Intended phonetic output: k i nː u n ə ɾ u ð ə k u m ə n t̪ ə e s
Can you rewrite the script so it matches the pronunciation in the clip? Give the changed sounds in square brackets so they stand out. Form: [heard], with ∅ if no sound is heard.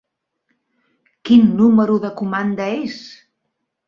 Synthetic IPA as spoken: k i nː u [m] ə ɾ u ð ə k u m [a] n [d̪] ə e s